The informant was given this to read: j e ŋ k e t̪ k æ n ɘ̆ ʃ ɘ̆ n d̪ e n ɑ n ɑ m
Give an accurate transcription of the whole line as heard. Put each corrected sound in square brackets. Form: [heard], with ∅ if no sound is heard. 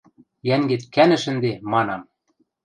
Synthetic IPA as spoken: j [æ] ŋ [ɡ] e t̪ k æ n ɘ̆ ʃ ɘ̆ n d̪ e [m] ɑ n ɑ m